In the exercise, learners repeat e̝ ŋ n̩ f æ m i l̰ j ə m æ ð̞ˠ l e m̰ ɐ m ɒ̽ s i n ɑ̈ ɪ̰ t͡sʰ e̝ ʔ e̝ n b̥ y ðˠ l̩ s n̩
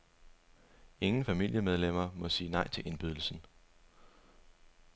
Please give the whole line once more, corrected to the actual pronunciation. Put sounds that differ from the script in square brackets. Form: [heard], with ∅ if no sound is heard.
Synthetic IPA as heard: e̝ ŋ n̩ f æ m i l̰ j ə m [e] ð̞ˠ l e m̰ ɐ m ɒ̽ s [iː] n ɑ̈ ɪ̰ t͡sʰ e̝ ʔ e̝ n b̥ y ðˠ l̩ s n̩